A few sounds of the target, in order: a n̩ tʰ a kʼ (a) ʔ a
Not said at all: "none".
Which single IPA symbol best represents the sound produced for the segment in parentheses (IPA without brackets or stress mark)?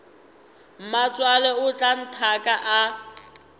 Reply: a